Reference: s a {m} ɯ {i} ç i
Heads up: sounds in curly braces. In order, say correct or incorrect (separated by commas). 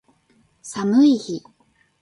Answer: correct, correct